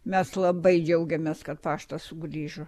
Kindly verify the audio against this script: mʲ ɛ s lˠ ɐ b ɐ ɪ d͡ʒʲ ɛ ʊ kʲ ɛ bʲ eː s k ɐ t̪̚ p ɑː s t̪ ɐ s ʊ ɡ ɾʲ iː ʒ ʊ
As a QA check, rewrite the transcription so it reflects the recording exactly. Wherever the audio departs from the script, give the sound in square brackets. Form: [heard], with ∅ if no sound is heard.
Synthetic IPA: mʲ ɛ s lˠ ɐ b ɐ ɪ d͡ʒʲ ɛ ʊ [ɡʲ] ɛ [mʲ] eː s k ɐ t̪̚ p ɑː [ʃ] t̪ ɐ s ʊ ɡ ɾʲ iː ʒ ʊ